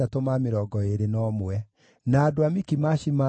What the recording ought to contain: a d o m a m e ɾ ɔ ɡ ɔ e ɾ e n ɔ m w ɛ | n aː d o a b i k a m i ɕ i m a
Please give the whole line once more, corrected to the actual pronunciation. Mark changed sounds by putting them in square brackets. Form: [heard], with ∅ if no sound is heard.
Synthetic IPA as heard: a [t] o m a m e ɾ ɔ ɡ ɔ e ɾ e n ɔ m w ɛ | n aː d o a [m] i k [i] m [a] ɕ i m a